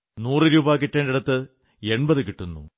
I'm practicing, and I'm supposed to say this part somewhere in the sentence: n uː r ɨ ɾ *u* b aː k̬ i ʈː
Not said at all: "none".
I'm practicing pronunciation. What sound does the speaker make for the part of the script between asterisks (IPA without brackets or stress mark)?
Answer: uː